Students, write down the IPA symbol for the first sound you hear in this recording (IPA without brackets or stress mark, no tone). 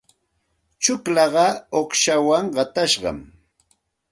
t͡ʃ